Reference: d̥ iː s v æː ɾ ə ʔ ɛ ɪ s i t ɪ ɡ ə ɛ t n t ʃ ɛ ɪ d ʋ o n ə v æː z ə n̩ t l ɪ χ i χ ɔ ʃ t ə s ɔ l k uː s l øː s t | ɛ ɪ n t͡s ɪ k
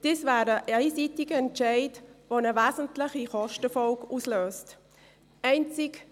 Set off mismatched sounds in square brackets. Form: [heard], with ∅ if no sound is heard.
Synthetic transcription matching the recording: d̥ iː s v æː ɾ ə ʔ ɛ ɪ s i t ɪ ɡ ə ɛ [∅] n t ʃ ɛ ɪ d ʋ o n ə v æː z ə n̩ t l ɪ χ i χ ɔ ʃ t ə [f] ɔ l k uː s l øː s t | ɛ ɪ n t͡s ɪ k